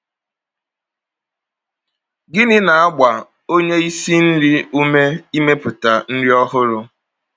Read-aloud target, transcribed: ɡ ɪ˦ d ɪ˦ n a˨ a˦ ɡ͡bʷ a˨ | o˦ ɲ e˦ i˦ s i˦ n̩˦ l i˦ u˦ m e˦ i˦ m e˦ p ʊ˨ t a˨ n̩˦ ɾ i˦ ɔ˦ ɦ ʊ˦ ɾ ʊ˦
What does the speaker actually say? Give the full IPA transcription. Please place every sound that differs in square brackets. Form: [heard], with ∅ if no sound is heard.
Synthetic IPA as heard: ɡ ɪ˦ [n] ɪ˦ n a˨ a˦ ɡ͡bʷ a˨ | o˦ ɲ e˦ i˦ s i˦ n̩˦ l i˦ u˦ m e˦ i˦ m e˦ p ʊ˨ t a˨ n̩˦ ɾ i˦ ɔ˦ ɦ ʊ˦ ɾ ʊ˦